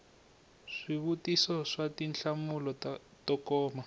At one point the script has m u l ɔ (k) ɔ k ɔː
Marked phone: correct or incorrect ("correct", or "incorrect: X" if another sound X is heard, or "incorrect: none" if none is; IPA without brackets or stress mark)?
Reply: incorrect: t